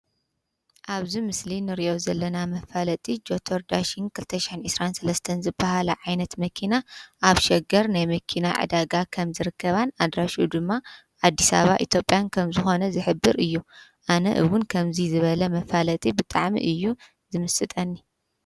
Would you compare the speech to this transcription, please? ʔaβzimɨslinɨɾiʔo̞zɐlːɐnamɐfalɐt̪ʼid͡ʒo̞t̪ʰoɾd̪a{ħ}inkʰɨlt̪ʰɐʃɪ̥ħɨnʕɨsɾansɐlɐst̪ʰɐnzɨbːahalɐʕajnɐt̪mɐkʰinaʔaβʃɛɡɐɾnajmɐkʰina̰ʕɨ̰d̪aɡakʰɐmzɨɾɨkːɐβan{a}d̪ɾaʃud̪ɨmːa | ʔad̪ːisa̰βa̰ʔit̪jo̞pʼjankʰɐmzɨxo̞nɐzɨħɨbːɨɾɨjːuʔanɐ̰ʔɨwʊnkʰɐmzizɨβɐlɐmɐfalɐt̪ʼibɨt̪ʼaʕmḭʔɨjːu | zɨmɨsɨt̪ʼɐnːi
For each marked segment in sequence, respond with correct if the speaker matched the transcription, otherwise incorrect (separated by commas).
incorrect, correct